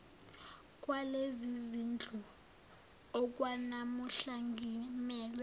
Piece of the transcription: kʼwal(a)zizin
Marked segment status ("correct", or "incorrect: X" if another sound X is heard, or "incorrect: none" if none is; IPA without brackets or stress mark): incorrect: e